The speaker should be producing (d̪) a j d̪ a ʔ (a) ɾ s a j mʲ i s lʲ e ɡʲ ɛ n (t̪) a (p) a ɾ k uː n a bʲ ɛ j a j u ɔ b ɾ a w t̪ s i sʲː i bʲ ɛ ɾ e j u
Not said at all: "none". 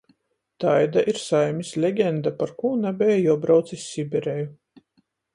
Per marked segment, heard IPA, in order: t̪, i, d̪, p

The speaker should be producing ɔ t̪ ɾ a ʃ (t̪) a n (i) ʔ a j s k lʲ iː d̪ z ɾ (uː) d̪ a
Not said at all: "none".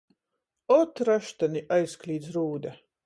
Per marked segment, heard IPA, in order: t̪, i, uː

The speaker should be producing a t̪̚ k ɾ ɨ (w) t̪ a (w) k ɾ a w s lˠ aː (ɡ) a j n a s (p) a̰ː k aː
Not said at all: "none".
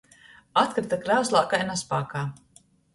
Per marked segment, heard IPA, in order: none, none, k, p

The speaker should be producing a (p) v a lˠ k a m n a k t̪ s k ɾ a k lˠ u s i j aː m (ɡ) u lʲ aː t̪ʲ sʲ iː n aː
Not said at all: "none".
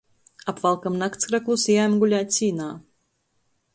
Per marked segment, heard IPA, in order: p, ɡ

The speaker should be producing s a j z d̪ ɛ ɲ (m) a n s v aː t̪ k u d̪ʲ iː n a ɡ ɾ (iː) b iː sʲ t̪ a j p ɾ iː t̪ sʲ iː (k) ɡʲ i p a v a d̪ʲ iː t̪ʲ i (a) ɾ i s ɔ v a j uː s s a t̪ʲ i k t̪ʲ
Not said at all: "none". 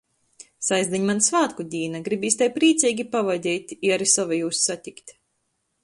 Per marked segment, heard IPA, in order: m, i, none, a

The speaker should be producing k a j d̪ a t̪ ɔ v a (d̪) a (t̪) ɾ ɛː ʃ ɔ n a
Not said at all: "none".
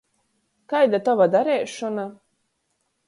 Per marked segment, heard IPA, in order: d̪, none

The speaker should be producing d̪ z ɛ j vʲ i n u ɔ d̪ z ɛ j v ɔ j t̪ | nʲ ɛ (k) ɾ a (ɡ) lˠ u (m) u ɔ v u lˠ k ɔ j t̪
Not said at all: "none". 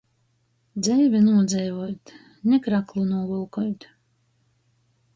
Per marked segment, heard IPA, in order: k, k, n

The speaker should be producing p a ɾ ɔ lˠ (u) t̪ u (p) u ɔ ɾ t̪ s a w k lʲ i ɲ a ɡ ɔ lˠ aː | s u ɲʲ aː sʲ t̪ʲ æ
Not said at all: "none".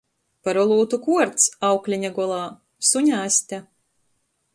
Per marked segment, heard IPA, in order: uː, k

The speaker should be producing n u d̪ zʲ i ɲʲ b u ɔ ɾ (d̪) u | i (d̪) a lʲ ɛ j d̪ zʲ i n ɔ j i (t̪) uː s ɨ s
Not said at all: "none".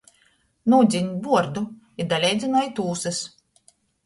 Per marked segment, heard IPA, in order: d̪, d̪, t̪

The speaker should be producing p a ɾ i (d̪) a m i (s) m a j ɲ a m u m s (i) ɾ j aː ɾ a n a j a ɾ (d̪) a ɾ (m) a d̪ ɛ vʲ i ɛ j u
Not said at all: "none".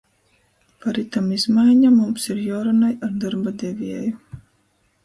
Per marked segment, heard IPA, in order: t̪, z, i, d̪, b

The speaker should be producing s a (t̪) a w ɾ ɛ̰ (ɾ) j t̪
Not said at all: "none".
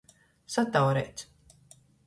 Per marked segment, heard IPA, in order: t̪, none

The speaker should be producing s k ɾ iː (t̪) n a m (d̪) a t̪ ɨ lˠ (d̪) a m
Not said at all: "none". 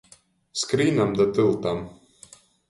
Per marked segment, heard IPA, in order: none, d̪, t̪

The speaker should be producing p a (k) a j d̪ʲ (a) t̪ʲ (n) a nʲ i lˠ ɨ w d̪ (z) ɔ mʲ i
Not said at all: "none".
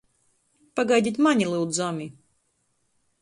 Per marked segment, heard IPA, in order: ɡ, i, m, z

